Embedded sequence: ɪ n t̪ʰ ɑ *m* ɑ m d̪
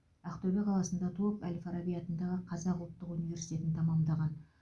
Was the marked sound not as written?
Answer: no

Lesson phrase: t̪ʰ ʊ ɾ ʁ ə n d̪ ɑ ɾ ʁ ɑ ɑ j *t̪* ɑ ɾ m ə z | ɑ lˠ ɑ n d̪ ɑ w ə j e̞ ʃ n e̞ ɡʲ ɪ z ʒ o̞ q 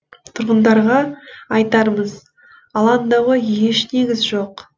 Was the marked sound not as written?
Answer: no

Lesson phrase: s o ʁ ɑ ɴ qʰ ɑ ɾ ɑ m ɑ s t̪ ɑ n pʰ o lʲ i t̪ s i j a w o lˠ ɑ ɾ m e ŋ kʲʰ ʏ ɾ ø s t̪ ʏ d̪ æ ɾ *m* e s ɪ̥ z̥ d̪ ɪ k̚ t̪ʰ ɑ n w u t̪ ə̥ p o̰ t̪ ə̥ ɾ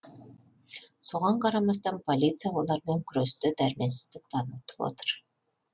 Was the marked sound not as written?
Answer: no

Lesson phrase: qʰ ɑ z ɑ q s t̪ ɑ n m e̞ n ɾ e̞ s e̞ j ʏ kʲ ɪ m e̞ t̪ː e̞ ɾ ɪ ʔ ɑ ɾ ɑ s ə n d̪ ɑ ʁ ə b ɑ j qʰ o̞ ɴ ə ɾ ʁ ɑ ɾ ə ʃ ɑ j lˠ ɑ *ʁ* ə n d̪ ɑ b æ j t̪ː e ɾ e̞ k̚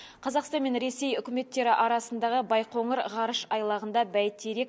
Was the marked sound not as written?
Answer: no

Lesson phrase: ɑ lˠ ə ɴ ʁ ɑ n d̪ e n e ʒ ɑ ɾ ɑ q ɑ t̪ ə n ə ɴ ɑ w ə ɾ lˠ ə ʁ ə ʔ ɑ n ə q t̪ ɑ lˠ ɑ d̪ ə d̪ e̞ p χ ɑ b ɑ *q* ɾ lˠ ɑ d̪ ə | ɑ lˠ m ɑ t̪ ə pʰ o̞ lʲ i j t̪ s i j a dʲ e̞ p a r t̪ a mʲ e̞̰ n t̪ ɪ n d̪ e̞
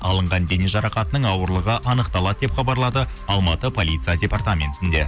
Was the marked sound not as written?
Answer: yes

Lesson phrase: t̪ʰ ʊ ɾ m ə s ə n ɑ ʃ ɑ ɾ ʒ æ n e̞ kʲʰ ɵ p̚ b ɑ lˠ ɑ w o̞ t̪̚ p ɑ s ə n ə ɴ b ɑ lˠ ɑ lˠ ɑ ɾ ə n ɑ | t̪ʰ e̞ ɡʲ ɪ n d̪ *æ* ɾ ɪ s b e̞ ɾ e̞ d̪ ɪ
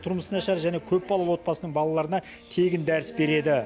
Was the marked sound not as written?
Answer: no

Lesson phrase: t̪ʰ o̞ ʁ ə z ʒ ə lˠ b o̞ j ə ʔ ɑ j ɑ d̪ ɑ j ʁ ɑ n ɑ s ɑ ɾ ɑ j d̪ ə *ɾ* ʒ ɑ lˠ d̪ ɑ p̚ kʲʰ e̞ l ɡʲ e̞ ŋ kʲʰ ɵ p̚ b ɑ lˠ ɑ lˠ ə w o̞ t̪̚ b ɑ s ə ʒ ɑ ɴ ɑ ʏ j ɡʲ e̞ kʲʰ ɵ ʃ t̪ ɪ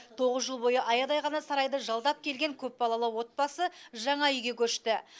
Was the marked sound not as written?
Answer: yes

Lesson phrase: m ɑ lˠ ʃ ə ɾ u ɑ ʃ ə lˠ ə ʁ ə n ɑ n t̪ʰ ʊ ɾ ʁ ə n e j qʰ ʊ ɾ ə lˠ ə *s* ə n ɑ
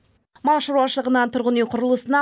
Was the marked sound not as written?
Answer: no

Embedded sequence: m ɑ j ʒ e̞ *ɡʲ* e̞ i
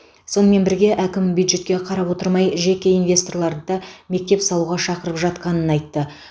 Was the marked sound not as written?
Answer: yes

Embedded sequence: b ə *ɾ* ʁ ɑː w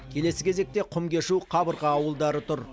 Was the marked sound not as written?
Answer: no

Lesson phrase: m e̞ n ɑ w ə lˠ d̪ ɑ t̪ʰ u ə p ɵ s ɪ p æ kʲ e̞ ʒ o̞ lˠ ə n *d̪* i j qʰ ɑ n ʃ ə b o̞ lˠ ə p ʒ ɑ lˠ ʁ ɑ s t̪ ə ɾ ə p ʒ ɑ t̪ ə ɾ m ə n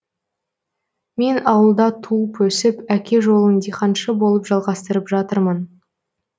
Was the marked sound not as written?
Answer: no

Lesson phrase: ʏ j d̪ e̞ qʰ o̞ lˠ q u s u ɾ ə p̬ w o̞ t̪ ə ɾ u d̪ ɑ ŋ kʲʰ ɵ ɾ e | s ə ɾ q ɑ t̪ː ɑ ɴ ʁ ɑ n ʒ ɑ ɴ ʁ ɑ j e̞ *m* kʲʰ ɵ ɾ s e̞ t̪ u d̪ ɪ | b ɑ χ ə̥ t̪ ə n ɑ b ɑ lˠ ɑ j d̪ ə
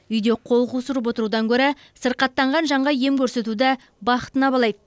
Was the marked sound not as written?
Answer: no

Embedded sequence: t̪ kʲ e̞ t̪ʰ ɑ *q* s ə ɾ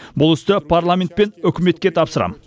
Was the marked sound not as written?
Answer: yes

